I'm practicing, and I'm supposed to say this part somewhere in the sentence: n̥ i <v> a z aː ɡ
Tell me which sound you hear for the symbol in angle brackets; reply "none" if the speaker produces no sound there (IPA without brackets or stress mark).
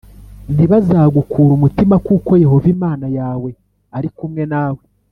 β